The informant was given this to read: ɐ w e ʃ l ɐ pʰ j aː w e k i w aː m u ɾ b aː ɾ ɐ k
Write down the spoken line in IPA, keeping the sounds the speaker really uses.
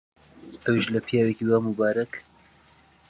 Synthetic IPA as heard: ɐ w i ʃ l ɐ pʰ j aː w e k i w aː m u b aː ɾ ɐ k